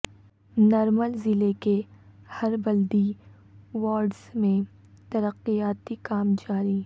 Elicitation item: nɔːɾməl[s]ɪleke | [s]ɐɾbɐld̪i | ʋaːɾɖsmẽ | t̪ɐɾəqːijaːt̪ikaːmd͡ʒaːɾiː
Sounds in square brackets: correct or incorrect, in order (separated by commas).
incorrect, incorrect